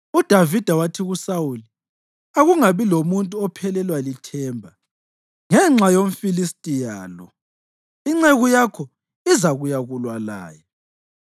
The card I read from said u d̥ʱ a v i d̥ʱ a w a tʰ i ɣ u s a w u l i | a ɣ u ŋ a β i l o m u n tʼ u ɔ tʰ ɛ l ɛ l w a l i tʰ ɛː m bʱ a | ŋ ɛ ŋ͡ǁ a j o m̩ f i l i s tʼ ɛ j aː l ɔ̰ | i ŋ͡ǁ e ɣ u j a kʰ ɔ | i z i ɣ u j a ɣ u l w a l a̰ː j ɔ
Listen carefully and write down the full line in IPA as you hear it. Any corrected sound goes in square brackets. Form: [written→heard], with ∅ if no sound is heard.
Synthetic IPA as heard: u d̥ʱ a v i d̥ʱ a w a tʰ i ɣ u s a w u l i | a ɣ u ŋ a β i l o m u n tʼ u ɔ [tʰ→pʰ] ɛ l ɛ l w a l i tʰ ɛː m bʱ a | ŋ ɛ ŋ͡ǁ a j o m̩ f i l i s tʼ [ɛ→i] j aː l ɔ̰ | i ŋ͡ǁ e ɣ u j a kʰ ɔ | i z [i→a] ɣ u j a ɣ u l w a l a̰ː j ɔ